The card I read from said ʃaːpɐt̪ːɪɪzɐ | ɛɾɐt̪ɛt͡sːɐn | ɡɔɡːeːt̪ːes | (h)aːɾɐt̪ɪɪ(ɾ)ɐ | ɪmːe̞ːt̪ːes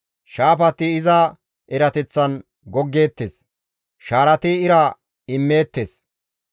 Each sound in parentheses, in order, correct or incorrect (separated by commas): incorrect, correct